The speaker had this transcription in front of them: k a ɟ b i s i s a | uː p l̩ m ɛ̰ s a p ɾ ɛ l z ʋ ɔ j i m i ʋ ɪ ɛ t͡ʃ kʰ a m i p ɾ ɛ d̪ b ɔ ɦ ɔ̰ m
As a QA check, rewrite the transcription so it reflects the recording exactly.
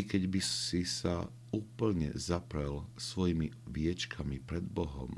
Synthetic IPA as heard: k ɛ ɟ b i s i s a | uː p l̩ ɲ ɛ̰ z a p ɾ ɛ l s ʋ ɔ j i m i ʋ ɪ ɛ t͡ʃ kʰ a m i p ɾ ɛ d̪ b ɔ ɦ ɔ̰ m